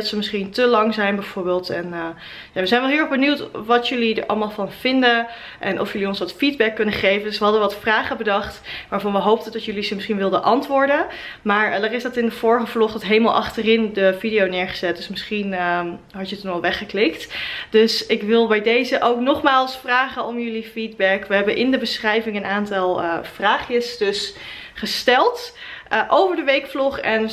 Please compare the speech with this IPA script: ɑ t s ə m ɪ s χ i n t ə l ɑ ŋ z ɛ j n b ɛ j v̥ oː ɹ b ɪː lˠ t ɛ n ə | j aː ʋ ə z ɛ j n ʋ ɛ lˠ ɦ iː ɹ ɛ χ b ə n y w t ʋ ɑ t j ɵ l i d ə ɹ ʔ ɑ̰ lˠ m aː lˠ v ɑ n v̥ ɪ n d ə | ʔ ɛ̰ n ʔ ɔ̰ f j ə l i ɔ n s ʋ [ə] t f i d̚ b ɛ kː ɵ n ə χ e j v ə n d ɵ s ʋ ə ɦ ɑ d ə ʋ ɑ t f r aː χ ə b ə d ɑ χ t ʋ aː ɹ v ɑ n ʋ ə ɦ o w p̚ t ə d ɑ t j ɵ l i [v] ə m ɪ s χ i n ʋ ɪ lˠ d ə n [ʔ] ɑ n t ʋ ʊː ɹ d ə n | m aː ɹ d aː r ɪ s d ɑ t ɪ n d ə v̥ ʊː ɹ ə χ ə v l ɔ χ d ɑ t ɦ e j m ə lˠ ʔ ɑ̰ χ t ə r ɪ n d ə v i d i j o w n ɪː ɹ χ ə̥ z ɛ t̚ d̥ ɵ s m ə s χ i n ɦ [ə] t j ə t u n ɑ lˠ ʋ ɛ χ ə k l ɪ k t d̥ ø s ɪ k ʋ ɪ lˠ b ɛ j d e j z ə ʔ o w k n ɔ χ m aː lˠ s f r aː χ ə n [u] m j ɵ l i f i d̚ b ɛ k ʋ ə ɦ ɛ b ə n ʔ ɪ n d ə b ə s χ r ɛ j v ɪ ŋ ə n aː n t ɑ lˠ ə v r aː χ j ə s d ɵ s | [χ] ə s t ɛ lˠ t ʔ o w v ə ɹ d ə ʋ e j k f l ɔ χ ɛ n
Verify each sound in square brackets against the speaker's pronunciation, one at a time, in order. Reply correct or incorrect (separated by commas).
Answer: incorrect, incorrect, correct, incorrect, incorrect, correct